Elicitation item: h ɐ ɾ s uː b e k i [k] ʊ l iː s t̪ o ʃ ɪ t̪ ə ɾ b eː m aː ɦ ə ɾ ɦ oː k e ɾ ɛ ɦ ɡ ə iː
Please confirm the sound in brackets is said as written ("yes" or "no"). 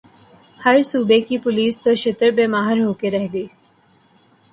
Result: no